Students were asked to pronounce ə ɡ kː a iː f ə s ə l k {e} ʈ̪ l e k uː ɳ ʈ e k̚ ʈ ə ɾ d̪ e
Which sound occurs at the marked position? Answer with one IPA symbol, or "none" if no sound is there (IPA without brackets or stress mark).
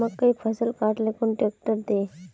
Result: a